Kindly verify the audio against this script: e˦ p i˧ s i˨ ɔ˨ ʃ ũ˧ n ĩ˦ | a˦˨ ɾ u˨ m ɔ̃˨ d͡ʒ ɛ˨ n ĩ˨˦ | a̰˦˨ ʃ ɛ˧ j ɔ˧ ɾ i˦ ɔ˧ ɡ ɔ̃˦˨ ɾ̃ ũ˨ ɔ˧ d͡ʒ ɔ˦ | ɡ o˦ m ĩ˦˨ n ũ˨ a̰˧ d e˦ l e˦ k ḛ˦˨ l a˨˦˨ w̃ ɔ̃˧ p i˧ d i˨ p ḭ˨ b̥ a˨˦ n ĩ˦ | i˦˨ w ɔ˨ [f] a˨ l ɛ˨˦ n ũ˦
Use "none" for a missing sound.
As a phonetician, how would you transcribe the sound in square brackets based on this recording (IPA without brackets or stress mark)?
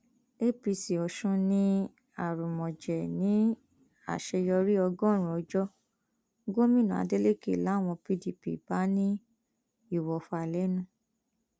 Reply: f